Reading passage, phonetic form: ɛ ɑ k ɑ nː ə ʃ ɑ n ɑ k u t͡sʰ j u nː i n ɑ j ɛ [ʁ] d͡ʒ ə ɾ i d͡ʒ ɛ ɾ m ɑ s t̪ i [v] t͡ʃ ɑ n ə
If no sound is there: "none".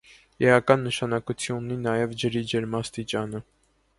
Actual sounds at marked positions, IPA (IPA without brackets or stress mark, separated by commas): v, none